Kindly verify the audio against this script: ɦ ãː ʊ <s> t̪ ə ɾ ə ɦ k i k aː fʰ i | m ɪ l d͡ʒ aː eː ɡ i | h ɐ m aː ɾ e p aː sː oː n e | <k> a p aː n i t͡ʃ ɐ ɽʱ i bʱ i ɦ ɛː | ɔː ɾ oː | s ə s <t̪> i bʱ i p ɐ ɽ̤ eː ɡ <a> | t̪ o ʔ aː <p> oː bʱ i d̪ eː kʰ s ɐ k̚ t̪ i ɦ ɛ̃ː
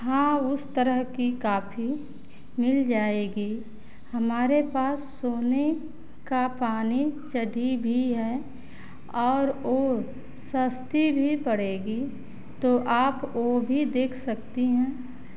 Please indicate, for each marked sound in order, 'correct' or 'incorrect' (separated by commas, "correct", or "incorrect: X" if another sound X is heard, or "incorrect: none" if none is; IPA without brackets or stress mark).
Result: correct, correct, correct, incorrect: i, correct